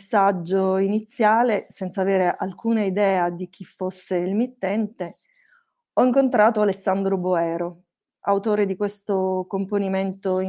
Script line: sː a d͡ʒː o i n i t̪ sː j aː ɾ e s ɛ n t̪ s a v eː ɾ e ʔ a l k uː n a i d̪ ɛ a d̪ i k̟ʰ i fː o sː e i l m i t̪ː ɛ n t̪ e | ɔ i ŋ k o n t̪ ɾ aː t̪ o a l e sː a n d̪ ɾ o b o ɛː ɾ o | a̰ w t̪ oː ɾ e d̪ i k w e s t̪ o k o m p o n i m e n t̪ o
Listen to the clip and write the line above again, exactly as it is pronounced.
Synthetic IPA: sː a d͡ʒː o i n i t̪ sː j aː l e s ɛ n t̪ s a v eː ɾ e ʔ a l k uː n a i d̪ ɛː a d̪ i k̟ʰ i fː o sː e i l m i t̪ː ɛ n t̪ e | ɔ i ŋ k o n t̪ ɾ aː t̪ o a l e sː a n d̪ ɾ o b o ɛː ɾ o | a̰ w t̪ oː ɾ e d̪ i k w e s t̪ o k o m p o n i m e n t̪ o